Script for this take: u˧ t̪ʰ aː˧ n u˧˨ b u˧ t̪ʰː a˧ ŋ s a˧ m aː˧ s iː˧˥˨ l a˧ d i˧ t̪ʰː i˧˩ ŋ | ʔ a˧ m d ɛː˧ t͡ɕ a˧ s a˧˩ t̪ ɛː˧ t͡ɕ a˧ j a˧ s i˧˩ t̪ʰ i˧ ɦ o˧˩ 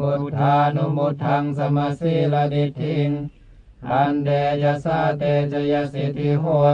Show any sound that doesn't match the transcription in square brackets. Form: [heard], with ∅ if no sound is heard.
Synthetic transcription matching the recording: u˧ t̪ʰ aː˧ n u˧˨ [m] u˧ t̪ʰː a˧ ŋ s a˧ m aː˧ s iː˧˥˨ l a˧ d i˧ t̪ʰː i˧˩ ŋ | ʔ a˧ [n] d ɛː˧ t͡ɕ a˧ s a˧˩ t̪ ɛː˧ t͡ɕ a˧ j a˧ s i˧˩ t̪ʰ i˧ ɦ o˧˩

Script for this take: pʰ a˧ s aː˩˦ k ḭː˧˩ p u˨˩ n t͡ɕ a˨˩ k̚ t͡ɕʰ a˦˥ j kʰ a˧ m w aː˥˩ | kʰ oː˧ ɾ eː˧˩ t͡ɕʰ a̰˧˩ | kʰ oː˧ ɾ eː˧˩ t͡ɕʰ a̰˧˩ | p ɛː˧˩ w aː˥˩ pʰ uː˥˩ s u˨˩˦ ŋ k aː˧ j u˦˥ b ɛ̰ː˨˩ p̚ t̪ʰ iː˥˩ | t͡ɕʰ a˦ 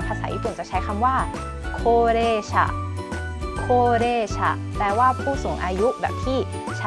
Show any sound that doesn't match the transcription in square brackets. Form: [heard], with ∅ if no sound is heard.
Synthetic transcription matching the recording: pʰ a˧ s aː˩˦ [ʔ] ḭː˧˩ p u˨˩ n t͡ɕ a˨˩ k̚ t͡ɕʰ a˦˥ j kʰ a˧ m w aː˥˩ | kʰ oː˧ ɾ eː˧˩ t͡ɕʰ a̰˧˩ | kʰ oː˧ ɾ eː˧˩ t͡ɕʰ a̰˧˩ | p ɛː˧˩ w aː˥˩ pʰ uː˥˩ s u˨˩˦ ŋ [ʔ] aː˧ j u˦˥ b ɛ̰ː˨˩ p̚ t̪ʰ iː˥˩ | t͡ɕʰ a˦

